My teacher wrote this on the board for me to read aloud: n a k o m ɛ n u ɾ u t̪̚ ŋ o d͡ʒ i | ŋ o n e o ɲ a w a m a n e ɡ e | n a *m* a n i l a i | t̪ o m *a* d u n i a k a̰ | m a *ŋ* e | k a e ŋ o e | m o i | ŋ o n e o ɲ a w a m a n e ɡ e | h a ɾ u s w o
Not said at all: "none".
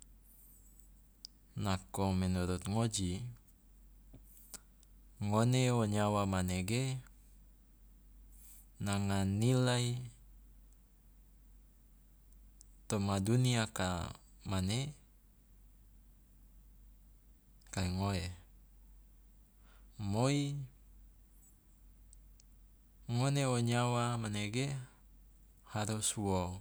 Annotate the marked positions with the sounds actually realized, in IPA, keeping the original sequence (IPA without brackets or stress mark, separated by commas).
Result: ŋ, a, n